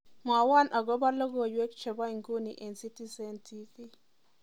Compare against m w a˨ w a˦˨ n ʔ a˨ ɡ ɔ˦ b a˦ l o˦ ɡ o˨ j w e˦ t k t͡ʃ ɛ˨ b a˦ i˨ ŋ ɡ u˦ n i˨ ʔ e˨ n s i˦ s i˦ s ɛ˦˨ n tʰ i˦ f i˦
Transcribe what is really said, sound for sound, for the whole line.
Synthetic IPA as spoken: m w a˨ w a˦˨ n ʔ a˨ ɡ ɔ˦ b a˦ l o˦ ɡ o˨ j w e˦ k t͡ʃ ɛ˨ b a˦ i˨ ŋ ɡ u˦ n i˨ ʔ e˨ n s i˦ t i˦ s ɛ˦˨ n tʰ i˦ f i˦

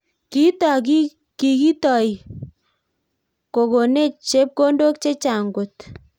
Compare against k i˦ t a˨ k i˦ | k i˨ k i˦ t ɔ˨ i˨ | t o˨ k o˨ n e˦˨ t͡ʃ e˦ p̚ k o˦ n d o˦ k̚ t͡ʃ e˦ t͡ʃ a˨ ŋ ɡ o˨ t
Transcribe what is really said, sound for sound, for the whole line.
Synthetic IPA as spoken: k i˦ t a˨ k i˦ | k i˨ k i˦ t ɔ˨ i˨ | k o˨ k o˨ n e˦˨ t͡ʃ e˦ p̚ k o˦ n d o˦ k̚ t͡ʃ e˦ t͡ʃ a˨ ŋ ɡ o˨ t

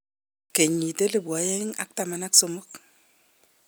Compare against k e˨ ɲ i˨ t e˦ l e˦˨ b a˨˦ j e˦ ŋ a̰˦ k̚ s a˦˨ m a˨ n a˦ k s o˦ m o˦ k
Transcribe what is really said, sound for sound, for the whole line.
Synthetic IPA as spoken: k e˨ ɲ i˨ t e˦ l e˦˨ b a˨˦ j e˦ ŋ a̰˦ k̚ t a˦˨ m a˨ n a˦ k s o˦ m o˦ k

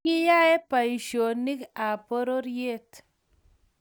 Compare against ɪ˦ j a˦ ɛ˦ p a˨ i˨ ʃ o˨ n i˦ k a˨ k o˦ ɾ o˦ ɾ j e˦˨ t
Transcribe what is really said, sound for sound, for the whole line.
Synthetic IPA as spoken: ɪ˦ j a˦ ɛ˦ p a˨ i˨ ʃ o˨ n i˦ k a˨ p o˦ ɾ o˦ ɾ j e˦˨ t

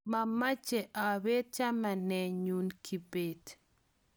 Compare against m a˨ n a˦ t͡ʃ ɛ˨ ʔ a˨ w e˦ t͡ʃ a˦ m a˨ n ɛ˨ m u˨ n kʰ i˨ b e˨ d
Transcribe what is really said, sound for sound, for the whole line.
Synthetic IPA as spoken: m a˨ m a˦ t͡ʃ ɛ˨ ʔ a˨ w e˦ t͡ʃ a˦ m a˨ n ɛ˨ ɲ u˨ n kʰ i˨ b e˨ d

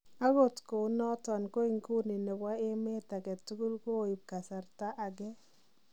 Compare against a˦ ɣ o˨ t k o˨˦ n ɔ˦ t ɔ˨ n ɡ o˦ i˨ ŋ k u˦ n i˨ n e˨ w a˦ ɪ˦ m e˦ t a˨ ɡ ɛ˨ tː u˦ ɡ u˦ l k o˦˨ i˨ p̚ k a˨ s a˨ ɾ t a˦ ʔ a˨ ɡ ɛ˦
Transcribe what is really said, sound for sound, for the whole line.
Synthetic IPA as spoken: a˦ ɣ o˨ t k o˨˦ n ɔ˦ t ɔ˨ n k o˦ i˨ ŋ k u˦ n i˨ n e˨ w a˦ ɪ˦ m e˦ t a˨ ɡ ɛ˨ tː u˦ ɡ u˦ l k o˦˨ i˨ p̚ k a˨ s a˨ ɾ t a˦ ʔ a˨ ɡ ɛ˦

